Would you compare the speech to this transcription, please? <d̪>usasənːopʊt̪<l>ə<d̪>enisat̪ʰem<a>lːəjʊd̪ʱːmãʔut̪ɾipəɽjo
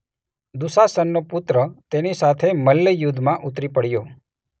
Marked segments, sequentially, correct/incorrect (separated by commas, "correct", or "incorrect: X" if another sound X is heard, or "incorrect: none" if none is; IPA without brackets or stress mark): correct, incorrect: ɾ, incorrect: t̪, incorrect: ə